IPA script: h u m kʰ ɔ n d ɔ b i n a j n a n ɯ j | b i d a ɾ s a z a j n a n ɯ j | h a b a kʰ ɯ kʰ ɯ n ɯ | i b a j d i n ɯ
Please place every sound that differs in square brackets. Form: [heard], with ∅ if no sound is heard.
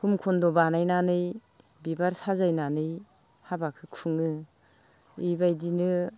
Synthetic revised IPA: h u m kʰ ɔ n d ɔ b [a] n a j n a n ɯ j | b i [b] a ɾ s a z a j n a n ɯ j | h a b a kʰ ɯ kʰ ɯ [ŋ] ɯ | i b a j d i n ɯ